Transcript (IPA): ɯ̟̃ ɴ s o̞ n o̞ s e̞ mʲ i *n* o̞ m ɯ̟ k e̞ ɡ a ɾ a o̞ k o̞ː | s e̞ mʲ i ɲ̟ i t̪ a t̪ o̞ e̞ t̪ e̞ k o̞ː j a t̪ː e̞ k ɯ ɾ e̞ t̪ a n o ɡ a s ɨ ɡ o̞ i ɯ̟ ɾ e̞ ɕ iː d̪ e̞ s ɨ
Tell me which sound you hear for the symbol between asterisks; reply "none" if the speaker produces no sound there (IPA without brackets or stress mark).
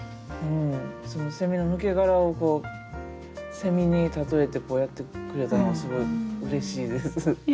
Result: n